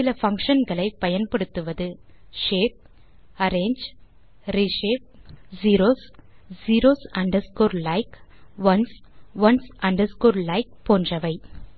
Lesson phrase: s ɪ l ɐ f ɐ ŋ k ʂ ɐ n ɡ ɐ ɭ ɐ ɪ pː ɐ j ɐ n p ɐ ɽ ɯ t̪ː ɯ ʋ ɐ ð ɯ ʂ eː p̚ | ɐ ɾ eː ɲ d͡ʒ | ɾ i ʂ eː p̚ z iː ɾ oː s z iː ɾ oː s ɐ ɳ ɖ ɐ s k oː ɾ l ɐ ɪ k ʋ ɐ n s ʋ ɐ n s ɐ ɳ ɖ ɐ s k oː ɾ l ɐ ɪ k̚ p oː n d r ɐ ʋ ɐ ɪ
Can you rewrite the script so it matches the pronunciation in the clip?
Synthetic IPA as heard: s ɪ l ɐ f ɐ ŋ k ʂ ɐ n ɡ ɐ ɭ ɐ ɪ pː ɐ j ɐ n p ɐ ɽ ɯ t̪ː ɯ ʋ ɐ ð ɯ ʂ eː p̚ | ɐ ɾ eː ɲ d͡ʒ | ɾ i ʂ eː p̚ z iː ɾ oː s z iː ɾ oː s ɐ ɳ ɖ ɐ s k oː ɾ l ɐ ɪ k ʋ ɐ n s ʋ ɐ n s ɐ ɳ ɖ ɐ s k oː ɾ l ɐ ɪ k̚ p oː n d r ɐ ʋ ɐ ɪ

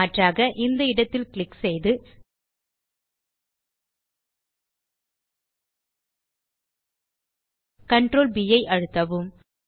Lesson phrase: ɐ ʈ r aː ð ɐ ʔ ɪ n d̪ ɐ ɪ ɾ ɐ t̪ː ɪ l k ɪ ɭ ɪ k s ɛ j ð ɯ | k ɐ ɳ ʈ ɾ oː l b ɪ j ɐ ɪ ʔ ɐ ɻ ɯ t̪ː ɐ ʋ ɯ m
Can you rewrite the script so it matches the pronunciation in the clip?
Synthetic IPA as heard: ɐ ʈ r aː ɣ ɐ ʔ ɪ n d̪ ɐ ɪ ɽ ɐ t̪ː ɪ l k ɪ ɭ ɪ k s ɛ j ð ɯ | k ɐ ɳ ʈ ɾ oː l b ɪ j ɐ ɪ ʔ ɐ ɻ ɯ t̪ː ɐ ʋ ɯ m

